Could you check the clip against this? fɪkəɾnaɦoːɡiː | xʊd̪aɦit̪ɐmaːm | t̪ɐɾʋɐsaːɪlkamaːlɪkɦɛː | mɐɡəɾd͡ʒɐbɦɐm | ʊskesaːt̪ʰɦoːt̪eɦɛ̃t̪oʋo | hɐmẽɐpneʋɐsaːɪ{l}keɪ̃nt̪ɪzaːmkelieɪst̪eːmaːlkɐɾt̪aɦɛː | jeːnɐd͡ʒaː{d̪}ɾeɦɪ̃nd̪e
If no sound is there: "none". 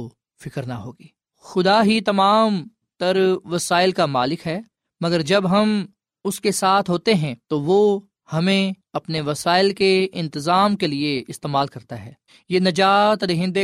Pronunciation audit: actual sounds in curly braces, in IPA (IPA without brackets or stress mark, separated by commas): l, t̪